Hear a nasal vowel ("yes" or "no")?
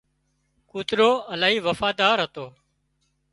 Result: no